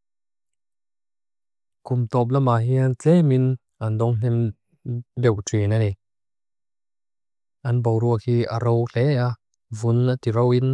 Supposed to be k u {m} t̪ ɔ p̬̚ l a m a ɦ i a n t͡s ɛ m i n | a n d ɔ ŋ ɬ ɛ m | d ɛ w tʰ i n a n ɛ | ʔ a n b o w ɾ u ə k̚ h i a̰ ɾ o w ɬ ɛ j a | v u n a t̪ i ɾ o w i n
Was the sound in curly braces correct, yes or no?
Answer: yes